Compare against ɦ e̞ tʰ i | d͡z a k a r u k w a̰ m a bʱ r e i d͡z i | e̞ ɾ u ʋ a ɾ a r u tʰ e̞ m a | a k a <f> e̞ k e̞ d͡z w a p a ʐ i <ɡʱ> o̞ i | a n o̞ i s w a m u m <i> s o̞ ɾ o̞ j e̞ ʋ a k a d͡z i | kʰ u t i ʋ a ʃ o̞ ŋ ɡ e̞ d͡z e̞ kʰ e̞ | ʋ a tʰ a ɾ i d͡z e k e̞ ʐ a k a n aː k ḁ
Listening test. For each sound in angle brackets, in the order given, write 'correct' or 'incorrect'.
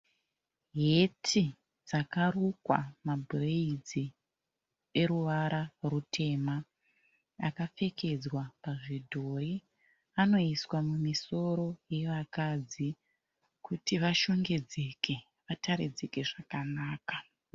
correct, incorrect, correct

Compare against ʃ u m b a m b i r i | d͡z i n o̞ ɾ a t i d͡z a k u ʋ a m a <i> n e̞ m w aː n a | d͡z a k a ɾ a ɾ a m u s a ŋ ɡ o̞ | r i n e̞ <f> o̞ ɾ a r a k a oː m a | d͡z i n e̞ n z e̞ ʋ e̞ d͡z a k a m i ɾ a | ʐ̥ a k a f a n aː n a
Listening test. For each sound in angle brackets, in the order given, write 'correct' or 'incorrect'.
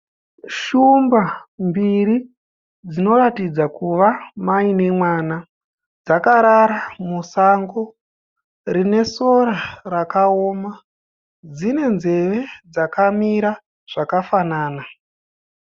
correct, incorrect

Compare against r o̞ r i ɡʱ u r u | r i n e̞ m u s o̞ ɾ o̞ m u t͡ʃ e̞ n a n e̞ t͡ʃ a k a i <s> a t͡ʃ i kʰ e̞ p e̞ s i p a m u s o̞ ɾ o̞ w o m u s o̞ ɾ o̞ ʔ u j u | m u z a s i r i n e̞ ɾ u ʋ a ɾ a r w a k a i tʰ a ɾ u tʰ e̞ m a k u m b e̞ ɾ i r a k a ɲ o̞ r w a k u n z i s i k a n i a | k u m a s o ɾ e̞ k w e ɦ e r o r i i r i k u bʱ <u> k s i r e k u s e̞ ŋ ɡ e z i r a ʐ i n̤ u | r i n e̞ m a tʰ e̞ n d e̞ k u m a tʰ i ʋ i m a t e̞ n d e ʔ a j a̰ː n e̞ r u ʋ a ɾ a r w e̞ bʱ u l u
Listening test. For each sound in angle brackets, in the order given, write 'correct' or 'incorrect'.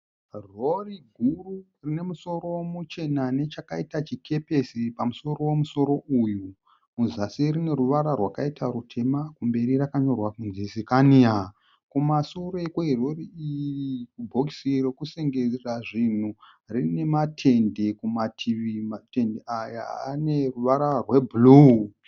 incorrect, incorrect

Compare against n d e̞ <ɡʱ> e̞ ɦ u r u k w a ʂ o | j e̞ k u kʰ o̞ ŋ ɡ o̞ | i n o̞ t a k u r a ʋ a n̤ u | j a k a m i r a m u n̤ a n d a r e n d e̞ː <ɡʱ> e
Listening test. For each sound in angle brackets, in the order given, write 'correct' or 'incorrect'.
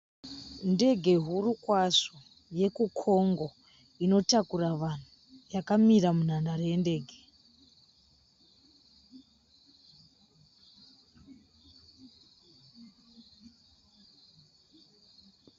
correct, correct

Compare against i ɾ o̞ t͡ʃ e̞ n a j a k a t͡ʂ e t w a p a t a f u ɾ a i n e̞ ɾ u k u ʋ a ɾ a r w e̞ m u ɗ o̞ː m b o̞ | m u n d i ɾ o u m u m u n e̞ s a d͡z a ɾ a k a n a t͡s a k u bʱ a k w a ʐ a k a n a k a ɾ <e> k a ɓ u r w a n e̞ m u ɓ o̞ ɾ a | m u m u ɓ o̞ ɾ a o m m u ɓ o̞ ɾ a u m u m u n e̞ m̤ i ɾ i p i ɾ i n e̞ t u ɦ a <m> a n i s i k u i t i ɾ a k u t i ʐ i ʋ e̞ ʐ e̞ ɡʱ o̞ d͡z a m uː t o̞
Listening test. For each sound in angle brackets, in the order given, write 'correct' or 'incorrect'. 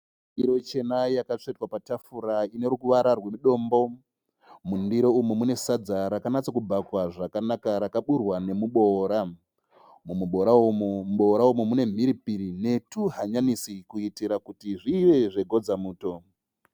incorrect, incorrect

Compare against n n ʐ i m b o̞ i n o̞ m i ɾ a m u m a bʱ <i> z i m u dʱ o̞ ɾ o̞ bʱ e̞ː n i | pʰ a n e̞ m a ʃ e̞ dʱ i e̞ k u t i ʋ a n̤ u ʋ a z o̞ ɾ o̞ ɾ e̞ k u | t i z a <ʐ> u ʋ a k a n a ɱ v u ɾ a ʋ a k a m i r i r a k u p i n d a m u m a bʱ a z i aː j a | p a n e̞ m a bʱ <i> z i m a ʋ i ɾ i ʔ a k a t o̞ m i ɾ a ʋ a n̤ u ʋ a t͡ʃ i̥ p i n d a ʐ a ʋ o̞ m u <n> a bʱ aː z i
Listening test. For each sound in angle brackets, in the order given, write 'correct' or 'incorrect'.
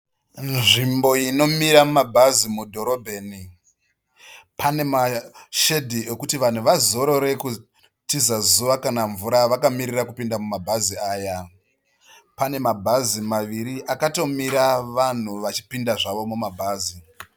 incorrect, incorrect, incorrect, incorrect

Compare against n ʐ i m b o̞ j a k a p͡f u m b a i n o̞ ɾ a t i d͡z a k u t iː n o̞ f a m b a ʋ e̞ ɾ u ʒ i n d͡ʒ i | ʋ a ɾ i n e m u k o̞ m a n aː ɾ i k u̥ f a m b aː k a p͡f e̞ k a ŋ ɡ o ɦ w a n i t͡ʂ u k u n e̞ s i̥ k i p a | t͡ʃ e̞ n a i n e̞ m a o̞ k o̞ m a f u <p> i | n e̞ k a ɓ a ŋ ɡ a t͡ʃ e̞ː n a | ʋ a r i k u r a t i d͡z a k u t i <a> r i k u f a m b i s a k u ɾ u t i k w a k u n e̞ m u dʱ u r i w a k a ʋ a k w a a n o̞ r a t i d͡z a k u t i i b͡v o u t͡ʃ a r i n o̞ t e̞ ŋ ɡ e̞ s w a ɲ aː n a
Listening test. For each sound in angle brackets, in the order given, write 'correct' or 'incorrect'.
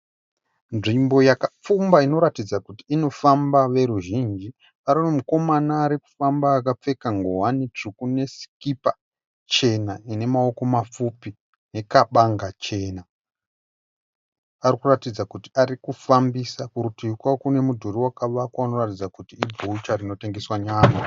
correct, correct

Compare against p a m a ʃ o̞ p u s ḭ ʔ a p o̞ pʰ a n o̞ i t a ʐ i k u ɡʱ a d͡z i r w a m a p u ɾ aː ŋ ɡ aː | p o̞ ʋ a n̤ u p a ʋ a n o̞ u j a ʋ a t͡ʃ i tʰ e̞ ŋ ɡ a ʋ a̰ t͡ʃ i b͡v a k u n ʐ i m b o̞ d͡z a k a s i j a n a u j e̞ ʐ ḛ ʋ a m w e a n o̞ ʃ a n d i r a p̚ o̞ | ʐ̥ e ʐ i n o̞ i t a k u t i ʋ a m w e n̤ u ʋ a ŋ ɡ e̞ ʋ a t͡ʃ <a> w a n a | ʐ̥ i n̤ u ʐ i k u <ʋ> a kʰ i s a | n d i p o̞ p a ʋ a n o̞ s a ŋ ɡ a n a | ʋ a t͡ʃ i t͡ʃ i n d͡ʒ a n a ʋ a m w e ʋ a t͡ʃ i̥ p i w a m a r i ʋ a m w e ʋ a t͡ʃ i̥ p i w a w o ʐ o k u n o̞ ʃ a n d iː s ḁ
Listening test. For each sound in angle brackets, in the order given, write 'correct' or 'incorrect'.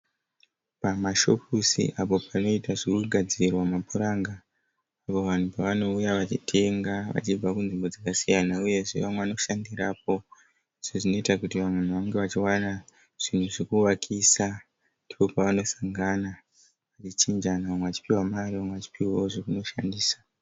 incorrect, incorrect

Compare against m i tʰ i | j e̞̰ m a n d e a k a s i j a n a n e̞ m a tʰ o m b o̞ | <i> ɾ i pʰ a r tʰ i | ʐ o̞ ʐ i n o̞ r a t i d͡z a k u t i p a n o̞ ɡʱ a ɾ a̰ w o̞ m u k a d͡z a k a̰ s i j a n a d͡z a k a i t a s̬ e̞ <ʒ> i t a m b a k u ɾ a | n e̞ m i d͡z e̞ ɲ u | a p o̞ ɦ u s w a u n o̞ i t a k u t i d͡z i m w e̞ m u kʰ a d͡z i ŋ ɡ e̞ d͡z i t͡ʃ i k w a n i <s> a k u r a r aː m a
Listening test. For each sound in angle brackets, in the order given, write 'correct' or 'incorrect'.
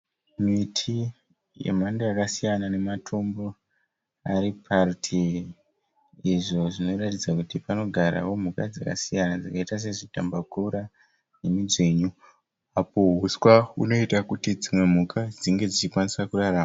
incorrect, incorrect, correct

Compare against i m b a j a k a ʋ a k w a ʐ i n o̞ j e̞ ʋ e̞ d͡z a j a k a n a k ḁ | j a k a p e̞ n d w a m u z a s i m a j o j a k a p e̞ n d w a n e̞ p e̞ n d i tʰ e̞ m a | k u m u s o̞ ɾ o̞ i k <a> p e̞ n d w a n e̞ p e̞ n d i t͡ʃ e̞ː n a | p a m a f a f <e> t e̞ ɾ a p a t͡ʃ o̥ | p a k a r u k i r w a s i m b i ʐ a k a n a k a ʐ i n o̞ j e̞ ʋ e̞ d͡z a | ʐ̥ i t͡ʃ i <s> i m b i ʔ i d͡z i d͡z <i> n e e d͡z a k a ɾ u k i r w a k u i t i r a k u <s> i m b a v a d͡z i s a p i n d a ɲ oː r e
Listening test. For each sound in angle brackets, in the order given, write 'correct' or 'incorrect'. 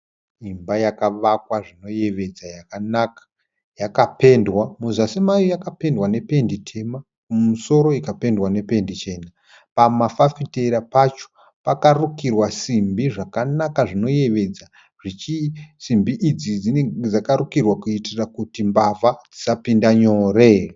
correct, incorrect, correct, correct, incorrect

